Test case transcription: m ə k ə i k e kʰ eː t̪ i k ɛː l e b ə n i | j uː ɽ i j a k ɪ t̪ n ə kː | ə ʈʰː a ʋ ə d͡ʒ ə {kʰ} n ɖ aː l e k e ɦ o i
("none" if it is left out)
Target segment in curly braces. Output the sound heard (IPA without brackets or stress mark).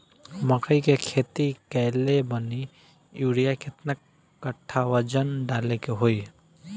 none